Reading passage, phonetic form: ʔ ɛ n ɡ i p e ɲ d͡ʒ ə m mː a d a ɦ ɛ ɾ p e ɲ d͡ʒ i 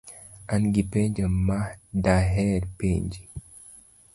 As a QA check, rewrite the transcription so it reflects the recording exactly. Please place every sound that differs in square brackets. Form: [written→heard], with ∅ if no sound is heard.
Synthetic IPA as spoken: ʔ [ɛ→a] n ɡ i p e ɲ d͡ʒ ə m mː a d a ɦ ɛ ɾ p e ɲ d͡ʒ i